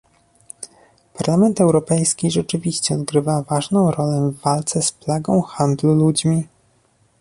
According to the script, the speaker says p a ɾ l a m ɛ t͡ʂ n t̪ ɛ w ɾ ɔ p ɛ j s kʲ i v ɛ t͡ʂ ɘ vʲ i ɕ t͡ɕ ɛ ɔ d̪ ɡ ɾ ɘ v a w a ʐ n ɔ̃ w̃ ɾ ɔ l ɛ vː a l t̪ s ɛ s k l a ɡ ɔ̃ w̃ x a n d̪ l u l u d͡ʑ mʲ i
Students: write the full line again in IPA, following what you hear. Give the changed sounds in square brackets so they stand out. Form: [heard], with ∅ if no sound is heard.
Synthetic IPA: p a ɾ l a m ɛ [∅] n t̪ ɛ w ɾ ɔ p ɛ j s kʲ i [ʐ] ɛ t͡ʂ ɘ vʲ i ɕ t͡ɕ ɛ ɔ d̪ ɡ ɾ ɘ v a [v] a ʐ n ɔ̃ w̃ ɾ ɔ l ɛ vː a l t̪ s ɛ s [p] l a ɡ ɔ̃ w̃ x a n d̪ l u l u d͡ʑ mʲ i